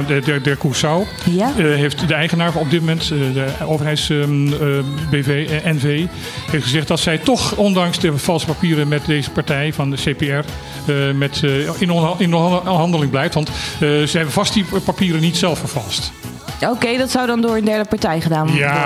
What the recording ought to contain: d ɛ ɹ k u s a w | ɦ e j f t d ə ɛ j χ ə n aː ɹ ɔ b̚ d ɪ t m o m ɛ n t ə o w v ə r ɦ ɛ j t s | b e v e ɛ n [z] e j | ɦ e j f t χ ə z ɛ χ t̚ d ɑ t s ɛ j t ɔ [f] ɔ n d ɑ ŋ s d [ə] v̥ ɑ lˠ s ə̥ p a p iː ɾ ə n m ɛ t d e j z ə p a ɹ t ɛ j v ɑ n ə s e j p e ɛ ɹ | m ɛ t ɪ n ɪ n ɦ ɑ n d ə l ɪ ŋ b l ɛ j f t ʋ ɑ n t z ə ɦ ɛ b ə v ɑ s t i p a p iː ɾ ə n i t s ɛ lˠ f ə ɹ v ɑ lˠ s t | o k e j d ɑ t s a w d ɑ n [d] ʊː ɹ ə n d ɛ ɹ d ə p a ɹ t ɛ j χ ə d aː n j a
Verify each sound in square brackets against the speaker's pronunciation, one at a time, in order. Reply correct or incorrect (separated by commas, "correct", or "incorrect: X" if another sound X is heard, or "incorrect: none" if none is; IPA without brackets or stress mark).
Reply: incorrect: v, incorrect: χ, correct, correct